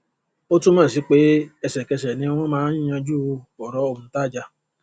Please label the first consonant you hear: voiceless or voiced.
voiceless